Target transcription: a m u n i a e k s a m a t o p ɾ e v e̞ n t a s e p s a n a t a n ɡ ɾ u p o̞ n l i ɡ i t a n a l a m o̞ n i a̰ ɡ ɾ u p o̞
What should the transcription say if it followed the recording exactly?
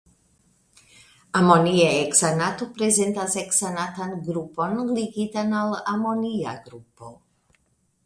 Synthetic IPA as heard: a m o n i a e k s a n a t o p ɾ e z e̞ n t a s e k s a n a t a n ɡ ɾ u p o̞ n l i ɡ i t a n a l a m o̞ n i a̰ ɡ ɾ u p o̞

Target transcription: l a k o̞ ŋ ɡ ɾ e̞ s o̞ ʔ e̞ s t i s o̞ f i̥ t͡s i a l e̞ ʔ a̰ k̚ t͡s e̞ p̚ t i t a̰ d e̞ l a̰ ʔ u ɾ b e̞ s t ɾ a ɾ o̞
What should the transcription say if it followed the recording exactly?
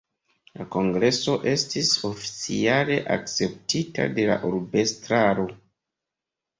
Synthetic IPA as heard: l a k o̞ ŋ ɡ ɾ e̞ s o̞ ʔ e̞ s t i s o̞ f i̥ t͡s i a l e̞ ʔ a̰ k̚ t͡s e̞ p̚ t i t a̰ d e̞ l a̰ ʔ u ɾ b e̞ s t ɾ a ɾ o̞

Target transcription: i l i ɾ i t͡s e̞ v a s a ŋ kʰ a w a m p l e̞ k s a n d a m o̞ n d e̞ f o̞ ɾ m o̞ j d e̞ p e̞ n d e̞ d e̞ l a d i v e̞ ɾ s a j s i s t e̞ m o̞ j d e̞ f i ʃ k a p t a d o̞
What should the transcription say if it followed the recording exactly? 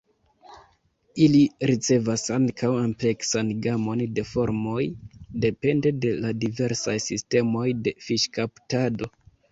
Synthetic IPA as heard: i l i ɾ i t͡s e̞ v a s a ŋ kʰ a w a m p l e̞ k s a n ɡ a m o̞ n d e̞ f o̞ ɾ m o̞ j d e̞ p e̞ n d e̞ d e̞ l a d i v e̞ ɾ s a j s i s t e̞ m o̞ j d e̞ f i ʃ k a p t a d o̞

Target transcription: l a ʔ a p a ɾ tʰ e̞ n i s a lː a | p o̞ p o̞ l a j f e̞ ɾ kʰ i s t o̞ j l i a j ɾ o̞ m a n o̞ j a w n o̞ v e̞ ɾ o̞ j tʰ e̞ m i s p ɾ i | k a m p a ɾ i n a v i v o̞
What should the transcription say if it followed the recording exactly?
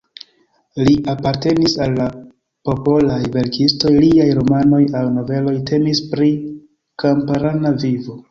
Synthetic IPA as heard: l i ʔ a p a ɾ t e̞ n i s a lː a | p o̞ p o̞ l a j v e̞ ɾ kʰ i s t o̞ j l i a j ɾ o̞ m a n o̞ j a w n o̞ v e̞ l o̞ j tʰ e̞ m i s p ɾ i | k a m p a ɾ a n a v i v o̞

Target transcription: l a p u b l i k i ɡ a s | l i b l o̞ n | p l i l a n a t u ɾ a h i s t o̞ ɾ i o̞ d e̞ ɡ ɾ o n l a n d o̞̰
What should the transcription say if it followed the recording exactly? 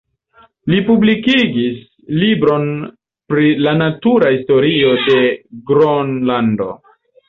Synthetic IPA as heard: l i p u b l i k i ɡ i s | l i b ɾ o̞ n | p ɾ i l a n a t u ɾ a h i s t o̞ ɾ i o̞ d e̞ ɡ ɾ o n l a n d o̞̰

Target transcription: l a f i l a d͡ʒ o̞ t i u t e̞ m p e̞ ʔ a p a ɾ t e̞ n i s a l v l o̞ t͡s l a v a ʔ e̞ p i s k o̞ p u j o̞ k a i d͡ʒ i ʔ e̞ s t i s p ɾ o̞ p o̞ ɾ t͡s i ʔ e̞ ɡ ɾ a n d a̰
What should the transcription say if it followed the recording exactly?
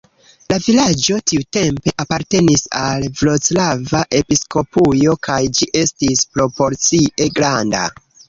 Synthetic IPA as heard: l a v i l a d͡ʒ o̞ t i u t e̞ m p e̞ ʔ a p a ɾ t e̞ n i s a l v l o̞ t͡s l a v a ʔ e̞ p i s k o̞ p u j o̞ k a j d͡ʒ i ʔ e̞ s t i s p ɾ o̞ p o̞ ɾ t͡s i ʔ e̞ ɡ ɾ a n d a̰

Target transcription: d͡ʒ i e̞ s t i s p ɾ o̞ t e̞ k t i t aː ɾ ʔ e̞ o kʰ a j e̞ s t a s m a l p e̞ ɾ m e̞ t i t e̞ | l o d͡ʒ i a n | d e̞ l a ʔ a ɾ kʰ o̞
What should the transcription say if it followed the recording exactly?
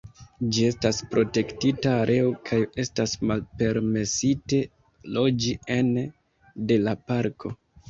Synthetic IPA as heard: d͡ʒ i e̞ s t a s p ɾ o̞ t e̞ k t i t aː ɾ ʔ e̞ o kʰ a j e̞ s t a s m a l p e̞ ɾ m e̞ s i t e̞ | l o d͡ʒ i e n | d e̞ l a p a ɾ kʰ o̞

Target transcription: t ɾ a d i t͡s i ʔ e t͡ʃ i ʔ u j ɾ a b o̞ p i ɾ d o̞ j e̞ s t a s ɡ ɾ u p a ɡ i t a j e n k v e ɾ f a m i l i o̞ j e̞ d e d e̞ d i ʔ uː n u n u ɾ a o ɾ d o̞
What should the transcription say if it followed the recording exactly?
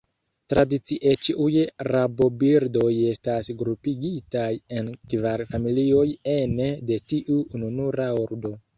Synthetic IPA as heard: t ɾ a d i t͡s i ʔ e t͡ʃ i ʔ u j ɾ a b o̞ b i ɾ d o̞ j e̞ s t a s ɡ ɾ u p i ɡ i t a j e n k v a ɾ f a m i l i o̞ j e̞ n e d e̞ t i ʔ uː n u n u ɾ a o ɾ d o̞

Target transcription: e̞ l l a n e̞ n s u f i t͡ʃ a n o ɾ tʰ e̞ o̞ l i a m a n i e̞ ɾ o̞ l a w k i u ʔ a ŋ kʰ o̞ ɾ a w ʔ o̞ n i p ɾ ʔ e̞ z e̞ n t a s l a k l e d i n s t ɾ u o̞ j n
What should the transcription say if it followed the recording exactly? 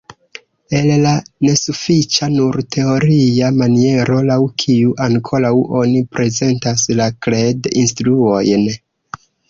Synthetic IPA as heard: e̞ l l a n e̞ s u f i t͡ʃ a n u ɾ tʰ e̞ o̞ ɾ i a m a n i e̞ ɾ o̞ l a w kʰ i u ʔ a ŋ kʰ o̞ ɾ a w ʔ o̞ n i p ɾ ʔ e̞ z e̞ n t a s l a k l e d i n s t ɾ u o̞ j n

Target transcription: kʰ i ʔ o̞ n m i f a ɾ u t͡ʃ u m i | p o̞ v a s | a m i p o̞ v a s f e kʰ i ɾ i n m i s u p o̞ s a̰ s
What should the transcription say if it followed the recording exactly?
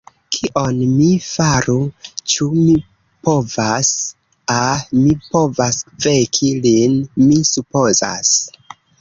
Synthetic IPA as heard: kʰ i ʔ o̞ n m i f a ɾ u t͡ʃ u m i | p o̞ v a s | a m i p o̞ v a s v e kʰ i l i n m i s u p o̞ z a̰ s

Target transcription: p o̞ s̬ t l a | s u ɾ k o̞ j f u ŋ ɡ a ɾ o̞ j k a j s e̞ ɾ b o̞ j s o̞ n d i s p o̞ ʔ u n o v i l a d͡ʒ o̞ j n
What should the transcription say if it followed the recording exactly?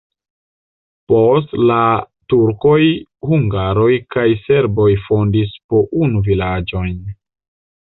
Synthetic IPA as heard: p o̞ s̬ t l a | t u ɾ k o̞ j h u ŋ ɡ a ɾ o̞ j k a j s e̞ ɾ b o̞ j f o̞ n d i s p o̞ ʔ u n u v i l a d͡ʒ o̞ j n

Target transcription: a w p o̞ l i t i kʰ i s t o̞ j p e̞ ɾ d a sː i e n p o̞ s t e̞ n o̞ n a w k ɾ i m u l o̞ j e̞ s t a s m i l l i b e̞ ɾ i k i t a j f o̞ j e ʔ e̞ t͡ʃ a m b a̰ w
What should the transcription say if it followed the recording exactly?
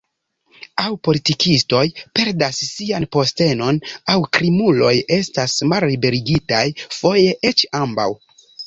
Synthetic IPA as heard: a w p o̞ l i t i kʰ i s t o̞ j p e̞ ɾ d a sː i a n p o̞ s t e̞ n o̞ n a w k ɾ i m u l o̞ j e̞ s t a s m a l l i b e̞ ɾ i ɡ i t a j f o̞ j e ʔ e̞ t͡ʃ a m b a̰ w

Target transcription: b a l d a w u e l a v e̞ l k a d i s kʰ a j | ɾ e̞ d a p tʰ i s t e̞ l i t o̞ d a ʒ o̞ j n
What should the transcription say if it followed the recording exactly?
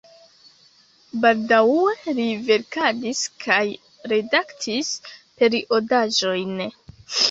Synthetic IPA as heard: b a l d a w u e l i v e̞ ɾ k a d i s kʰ a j | ɾ e̞ d a k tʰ i s p e̞ ɾ i ʔ o̞ d a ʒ o̞ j n

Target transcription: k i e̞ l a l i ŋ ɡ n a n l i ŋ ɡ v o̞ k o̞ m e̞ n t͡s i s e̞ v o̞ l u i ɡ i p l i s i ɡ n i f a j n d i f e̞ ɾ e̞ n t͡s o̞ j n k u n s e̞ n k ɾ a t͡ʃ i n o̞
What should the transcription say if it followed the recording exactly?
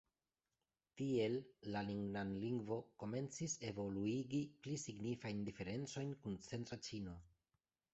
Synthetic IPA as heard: t i e̞ lː a l i ŋ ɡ n a n l i ŋ ɡ v o̞ k o̞ m e̞ n t͡s i s e̞ v o̞ l u i ɡ i p l i s i ɡ n i f a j n d i f e̞ ɾ e̞ n t͡s o̞ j n k u n t͡s e̞ n t ɾ a t͡ʃ i n o̞

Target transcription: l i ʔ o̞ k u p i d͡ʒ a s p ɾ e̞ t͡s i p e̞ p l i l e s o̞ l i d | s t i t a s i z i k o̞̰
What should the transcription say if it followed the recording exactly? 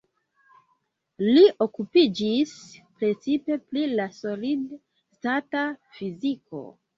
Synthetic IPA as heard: l i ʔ o̞ k u p i d͡ʒ i s p ɾ e̞ t͡s i p e̞ p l i l a s o̞ l i d | s t a t a f i z i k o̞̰

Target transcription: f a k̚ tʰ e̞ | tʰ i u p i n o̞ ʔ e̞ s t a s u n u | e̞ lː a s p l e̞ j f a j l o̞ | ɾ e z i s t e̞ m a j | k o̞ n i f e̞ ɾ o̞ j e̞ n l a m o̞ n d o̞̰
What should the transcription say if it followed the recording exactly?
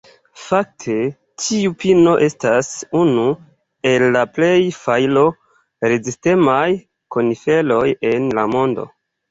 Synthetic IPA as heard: f a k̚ tʰ e̞ | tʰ i u p i n o̞ ʔ e̞ s t a s u n u | e̞ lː a p l e̞ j f a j l o̞ | ɾ e z i s t e̞ m a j | k o̞ n i f e̞ l o̞ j e̞ n l a m o̞ n d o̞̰

